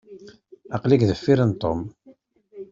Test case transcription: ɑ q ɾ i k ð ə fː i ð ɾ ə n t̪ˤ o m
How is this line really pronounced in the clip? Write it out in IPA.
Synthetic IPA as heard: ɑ q l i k ð ə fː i ɾ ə n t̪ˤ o m